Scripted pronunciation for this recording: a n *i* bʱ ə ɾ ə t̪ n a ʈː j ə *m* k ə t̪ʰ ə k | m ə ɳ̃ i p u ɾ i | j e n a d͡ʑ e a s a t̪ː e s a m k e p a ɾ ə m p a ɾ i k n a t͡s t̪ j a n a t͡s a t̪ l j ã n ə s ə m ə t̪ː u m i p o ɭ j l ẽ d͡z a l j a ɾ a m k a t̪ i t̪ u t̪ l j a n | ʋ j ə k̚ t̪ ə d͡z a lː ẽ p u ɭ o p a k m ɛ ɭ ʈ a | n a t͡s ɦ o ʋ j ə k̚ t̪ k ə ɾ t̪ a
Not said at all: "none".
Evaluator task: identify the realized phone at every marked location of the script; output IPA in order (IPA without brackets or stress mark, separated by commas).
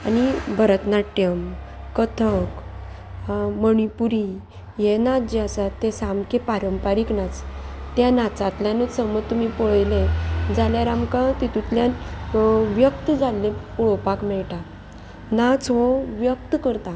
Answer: i, m